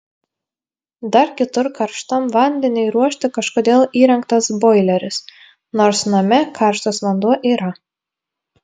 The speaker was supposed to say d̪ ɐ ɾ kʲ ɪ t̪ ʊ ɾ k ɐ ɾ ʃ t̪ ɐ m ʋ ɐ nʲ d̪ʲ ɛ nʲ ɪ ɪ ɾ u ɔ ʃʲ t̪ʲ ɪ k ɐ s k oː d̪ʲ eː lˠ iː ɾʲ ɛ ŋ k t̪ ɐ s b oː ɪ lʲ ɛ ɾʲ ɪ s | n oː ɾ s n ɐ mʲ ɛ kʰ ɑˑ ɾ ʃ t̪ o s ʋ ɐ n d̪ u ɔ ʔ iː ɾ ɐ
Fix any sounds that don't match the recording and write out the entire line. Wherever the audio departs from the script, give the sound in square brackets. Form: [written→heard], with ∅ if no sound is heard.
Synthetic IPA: d̪ ɐ ɾ kʲ ɪ t̪ ʊ ɾ k ɐ ɾ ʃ t̪ ɐ m ʋ ɐ nʲ d̪ʲ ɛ nʲ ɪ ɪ ɾ u ɔ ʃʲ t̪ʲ ɪ k ɐ [s→ʃ] k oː d̪ʲ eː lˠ iː ɾʲ ɛ ŋ k t̪ ɐ s b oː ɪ lʲ ɛ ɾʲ ɪ s | n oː ɾ s n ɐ mʲ ɛ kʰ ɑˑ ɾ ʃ t̪ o s ʋ ɐ n d̪ u ɔ ʔ iː ɾ ɐ